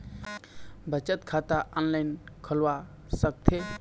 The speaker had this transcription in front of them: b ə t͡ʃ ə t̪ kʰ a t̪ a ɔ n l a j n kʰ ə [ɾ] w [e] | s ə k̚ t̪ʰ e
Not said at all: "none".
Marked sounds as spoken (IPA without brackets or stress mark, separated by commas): l, a